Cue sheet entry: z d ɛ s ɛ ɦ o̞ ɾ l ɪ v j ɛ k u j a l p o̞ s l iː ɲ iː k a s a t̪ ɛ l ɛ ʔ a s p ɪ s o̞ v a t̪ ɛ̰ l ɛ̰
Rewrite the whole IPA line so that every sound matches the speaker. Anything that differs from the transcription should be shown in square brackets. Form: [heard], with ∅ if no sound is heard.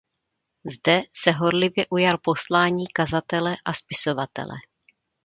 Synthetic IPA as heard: z d ɛ s ɛ ɦ o̞ ɾ l ɪ v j ɛ [ʔ] u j a l p o̞ s l [aː] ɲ iː k a [z] a t̪ ɛ l ɛ ʔ a s p ɪ s o̞ v a t̪ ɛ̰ l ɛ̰